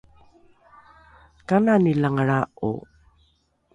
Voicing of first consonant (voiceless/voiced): voiceless